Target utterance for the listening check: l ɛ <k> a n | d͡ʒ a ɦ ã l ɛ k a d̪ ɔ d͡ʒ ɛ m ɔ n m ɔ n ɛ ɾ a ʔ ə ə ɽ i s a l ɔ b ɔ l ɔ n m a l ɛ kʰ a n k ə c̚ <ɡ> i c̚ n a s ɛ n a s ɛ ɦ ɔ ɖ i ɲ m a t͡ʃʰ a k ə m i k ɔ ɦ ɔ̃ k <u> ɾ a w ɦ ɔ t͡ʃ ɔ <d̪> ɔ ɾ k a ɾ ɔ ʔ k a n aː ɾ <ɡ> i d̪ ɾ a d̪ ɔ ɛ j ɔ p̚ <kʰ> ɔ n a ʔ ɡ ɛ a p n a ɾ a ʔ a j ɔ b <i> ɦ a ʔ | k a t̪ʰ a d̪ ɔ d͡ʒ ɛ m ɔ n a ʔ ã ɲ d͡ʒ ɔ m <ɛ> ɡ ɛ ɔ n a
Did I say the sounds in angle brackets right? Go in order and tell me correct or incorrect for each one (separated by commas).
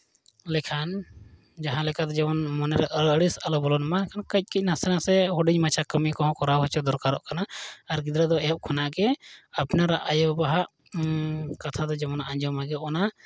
incorrect, incorrect, incorrect, correct, correct, correct, incorrect, incorrect